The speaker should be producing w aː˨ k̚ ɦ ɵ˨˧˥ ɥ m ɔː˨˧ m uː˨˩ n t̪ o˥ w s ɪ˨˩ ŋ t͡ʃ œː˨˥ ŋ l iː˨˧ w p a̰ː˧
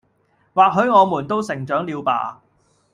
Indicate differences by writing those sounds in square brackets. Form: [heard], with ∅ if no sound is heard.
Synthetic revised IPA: w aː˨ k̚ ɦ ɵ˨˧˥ ɥ [ŋ] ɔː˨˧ m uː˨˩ n t̪ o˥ w s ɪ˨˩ ŋ t͡ʃ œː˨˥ ŋ l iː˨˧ w p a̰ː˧